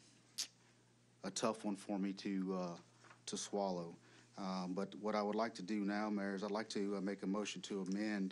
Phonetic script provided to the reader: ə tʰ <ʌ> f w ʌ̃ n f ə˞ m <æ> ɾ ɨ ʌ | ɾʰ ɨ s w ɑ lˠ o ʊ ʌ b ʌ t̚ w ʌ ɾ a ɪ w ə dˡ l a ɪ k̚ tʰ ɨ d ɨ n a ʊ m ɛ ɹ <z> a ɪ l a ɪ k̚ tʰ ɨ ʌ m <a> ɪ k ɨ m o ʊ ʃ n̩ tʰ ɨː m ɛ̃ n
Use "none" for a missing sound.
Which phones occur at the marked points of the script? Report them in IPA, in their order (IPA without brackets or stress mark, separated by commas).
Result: ʌ, i, z, e